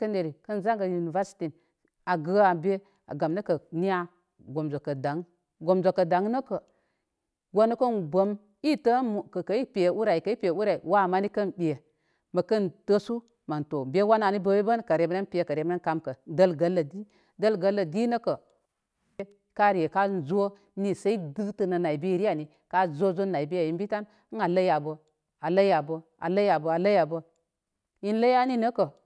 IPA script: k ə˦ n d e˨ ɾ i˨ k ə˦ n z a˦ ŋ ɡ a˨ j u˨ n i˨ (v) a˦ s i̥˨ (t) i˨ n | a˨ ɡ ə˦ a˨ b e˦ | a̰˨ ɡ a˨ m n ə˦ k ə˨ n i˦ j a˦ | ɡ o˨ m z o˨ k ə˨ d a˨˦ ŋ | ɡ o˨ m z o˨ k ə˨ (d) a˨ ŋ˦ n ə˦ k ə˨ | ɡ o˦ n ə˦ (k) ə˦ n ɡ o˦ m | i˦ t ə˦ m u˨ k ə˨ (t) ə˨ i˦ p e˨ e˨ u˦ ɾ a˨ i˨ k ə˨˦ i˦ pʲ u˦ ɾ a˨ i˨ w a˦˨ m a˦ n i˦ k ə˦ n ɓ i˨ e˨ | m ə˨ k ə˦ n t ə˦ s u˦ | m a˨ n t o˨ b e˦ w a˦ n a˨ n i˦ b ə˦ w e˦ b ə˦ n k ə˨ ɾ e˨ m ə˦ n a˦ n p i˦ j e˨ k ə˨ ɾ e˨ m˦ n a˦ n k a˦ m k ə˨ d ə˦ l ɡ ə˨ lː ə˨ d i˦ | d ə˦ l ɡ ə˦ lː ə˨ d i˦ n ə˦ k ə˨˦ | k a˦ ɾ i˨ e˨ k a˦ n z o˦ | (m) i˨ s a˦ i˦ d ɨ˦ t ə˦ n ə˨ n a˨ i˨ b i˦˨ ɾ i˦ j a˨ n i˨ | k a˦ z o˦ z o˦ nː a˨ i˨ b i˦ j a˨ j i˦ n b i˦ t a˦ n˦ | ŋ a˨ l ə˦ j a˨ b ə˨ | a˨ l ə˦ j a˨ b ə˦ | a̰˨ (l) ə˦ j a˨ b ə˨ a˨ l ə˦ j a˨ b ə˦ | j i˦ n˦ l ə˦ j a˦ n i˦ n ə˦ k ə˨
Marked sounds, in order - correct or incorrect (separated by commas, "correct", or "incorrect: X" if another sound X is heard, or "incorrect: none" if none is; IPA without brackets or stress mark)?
correct, correct, correct, correct, incorrect: k, incorrect: n, correct